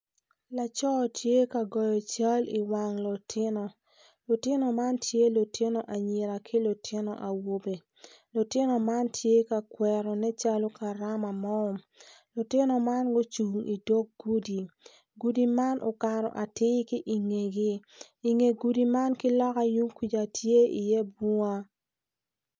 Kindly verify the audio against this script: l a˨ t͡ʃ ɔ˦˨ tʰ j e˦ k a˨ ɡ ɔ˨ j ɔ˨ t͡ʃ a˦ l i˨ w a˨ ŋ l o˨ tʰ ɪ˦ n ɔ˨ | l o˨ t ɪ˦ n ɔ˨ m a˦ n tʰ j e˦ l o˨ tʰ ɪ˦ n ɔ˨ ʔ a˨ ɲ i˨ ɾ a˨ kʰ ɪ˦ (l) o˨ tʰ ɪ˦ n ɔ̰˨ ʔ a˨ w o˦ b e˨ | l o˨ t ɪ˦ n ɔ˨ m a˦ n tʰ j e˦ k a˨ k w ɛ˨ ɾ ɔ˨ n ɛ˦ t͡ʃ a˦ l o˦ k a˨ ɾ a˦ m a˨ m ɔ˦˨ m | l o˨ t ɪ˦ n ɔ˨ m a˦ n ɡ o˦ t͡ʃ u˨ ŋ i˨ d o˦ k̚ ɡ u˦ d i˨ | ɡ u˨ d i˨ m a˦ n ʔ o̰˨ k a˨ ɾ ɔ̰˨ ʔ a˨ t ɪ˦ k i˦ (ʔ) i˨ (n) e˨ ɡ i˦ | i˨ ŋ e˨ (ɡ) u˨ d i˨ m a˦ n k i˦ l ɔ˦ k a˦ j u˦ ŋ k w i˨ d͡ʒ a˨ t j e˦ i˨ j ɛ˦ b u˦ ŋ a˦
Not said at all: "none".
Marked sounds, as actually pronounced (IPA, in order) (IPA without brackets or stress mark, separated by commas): l, ʔ, ŋ, ɡ